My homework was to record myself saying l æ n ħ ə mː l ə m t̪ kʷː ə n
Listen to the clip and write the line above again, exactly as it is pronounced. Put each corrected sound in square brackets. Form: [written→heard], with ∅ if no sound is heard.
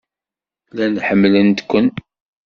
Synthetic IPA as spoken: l æ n ħ ə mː l ə [m→n] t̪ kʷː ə n